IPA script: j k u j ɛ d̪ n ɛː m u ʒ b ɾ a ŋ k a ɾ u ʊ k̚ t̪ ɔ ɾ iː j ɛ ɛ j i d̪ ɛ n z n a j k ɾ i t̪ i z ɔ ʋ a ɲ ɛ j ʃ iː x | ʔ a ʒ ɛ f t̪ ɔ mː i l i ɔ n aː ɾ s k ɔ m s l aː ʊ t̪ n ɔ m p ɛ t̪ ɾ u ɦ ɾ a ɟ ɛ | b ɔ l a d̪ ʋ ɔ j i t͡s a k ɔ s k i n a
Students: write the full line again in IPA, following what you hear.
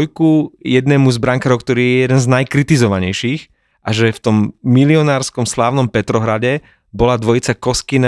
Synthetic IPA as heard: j k u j ɛ d̪ n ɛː m u z b ɾ a ŋ k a ɾ ɔ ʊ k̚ t̪ ɔ ɾ iː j ɛ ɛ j ɛ d̪ ɛ n z n a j k ɾ i t̪ i z ɔ ʋ a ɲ ɛ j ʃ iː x | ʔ a ʒ ɛ f t̪ ɔ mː i l i ɔ n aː ɾ s k ɔ m s l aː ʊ n ɔ m p ɛ t̪ ɾ ɔ ɦ ɾ a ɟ ɛ | b ɔ l a d̪ ʋ ɔ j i t͡s a k ɔ s k i n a